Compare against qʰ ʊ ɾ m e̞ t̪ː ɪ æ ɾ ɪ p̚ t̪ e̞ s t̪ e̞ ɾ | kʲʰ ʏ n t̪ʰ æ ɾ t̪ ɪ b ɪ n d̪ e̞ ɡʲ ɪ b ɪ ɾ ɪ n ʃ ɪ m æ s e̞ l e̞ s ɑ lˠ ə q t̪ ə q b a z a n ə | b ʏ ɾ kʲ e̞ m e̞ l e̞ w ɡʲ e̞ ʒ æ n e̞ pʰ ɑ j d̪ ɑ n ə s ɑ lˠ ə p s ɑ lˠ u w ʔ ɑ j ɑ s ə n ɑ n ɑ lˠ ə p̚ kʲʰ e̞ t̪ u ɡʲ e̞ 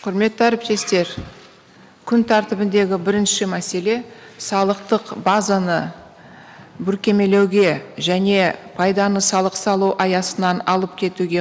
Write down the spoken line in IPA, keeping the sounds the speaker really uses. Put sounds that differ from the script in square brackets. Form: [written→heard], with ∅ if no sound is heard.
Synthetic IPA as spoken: qʰ ʊ ɾ m e̞ t̪ː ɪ æ ɾ ɪ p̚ t̪ e̞ s t̪ e̞ ɾ | kʲʰ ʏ n t̪ʰ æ ɾ t̪ ɪ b ɪ n d̪ e̞ ɡʲ ɪ b ɪ ɾ ɪ n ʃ ɪ m æ s e̞ l e̞ s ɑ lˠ ə q t̪ ə q b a z a n ə | b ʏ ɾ kʲ e̞ m e̞ l e̞ w ɡʲ e̞ ʒ æ n e̞ pʰ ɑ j d̪ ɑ n ə s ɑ lˠ ə [p→q] s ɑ lˠ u w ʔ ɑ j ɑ s ə n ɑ n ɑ lˠ ə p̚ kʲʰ e̞ t̪ u ɡʲ e̞

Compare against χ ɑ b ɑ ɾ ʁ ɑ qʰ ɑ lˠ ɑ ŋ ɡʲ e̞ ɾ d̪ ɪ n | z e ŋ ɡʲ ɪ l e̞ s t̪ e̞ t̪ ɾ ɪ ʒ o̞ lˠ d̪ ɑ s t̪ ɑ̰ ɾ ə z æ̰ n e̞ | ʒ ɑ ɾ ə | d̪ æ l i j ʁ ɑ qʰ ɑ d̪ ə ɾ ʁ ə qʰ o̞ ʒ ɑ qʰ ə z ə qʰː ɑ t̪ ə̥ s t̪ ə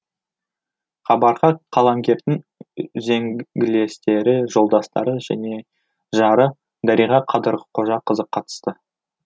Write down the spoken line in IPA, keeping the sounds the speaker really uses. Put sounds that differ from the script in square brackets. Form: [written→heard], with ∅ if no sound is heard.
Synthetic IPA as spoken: χ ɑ b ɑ ɾ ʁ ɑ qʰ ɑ lˠ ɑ ŋ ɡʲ e̞ ɾ d̪ ɪ [n→ŋ] | z e ŋ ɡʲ ɪ l e̞ s t̪ e̞ [t̪→∅] ɾ ɪ ʒ o̞ lˠ d̪ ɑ s t̪ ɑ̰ ɾ ə [z→ʒ] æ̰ n e̞ | ʒ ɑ ɾ ə | d̪ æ [l→ɾ] i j ʁ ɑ qʰ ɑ d̪ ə ɾ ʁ ə qʰ o̞ ʒ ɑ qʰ ə z ə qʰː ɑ t̪ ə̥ s t̪ ə

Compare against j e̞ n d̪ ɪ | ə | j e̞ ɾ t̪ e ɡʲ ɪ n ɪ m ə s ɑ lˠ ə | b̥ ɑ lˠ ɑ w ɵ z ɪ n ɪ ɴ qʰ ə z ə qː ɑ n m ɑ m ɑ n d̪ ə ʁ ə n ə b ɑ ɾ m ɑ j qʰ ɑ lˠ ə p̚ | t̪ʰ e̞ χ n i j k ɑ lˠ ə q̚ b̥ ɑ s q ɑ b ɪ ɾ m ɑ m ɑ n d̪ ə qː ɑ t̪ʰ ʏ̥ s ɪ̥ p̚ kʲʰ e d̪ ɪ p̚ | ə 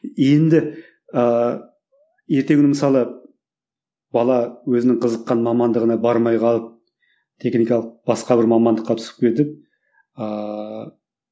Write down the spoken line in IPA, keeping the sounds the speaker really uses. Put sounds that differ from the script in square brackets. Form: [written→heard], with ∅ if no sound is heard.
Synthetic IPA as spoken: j e̞ n d̪ ɪ | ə | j e̞ ɾ t̪ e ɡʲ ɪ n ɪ m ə s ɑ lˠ ə | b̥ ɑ lˠ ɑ w ɵ z ɪ n ɪ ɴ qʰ ə z ə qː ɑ n m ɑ m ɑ n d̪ ə ʁ ə n [ə→ɑ] b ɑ ɾ m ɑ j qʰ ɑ lˠ ə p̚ | t̪ʰ e̞ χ n i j k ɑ lˠ ə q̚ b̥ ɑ s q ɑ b ɪ ɾ m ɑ m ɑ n d̪ ə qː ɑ t̪ʰ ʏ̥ s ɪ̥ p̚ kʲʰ e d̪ ɪ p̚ | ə

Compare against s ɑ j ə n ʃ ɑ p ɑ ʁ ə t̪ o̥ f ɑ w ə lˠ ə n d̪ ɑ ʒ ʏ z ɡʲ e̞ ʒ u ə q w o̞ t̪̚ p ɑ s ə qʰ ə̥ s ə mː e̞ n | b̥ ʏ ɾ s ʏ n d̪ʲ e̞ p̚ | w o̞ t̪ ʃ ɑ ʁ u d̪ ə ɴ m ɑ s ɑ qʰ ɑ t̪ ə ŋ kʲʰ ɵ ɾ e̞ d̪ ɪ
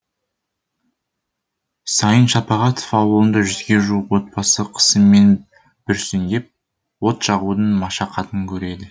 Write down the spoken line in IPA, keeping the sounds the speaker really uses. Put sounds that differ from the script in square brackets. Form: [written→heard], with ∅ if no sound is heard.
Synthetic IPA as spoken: s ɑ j ə n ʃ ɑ p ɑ ʁ [ə→ɑ] t̪ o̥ f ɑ w ə lˠ ə n d̪ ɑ ʒ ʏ z ɡʲ e̞ ʒ u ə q w o̞ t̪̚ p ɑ s ə qʰ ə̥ s ə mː e̞ n | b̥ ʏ ɾ s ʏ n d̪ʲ e̞ p̚ | w o̞ t̪ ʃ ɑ ʁ u d̪ ə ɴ m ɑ [s→ʃ] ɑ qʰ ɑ t̪ ə ŋ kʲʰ ɵ ɾ e̞ d̪ ɪ

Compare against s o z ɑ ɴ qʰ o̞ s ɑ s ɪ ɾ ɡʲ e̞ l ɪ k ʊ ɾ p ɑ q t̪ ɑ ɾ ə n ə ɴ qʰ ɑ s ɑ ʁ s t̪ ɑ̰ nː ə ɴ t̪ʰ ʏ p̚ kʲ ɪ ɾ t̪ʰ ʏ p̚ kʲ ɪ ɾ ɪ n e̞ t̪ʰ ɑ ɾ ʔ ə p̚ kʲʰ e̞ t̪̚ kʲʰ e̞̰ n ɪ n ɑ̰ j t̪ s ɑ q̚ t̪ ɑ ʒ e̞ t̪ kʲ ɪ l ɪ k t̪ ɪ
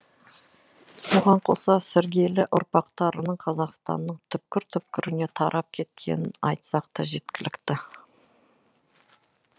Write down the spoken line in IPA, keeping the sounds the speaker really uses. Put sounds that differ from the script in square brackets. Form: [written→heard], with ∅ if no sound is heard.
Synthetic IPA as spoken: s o [z→ʁ] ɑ ɴ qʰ o̞ s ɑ s ɪ ɾ ɡʲ e̞ l ɪ [k→ʔ] ʊ ɾ p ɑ q t̪ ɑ ɾ ə n ə ɴ qʰ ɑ [s→z] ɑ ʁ s t̪ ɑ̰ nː ə ɴ t̪ʰ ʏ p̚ kʲ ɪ ɾ t̪ʰ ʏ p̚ kʲ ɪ ɾ ɪ n e̞ t̪ʰ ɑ ɾ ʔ [ə→ɑ] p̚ kʲʰ e̞ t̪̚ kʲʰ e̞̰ n ɪ n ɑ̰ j t̪ s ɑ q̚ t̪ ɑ ʒ e̞ t̪ kʲ ɪ l ɪ k t̪ ɪ

